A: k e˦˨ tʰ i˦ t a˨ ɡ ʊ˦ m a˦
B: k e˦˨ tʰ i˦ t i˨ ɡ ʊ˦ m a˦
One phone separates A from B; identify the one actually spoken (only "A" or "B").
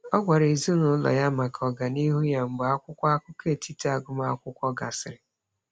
A